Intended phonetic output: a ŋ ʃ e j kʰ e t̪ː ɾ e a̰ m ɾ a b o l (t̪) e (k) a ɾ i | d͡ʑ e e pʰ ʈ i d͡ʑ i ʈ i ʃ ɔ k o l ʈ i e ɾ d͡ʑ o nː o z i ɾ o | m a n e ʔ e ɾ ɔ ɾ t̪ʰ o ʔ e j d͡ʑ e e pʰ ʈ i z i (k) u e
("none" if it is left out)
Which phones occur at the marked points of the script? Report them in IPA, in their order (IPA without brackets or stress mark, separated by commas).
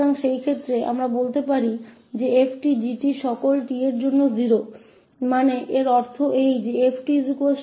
t̪, p, k